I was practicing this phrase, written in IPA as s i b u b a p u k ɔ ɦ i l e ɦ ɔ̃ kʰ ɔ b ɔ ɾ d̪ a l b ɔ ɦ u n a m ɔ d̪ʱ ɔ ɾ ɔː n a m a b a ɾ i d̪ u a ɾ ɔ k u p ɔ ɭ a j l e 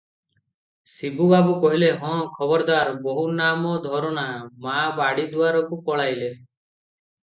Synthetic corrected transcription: s i b u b a b u k ɔ ɦ i l e ɦ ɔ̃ kʰ ɔ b ɔ ɾ d̪ a ɾ b ɔ ɦ u n a m ɔ d̪ʱ ɔ ɾ ɔ n a m a b a ɽ i d̪ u a ɾ ɔ k u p ɔ ɭ a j l e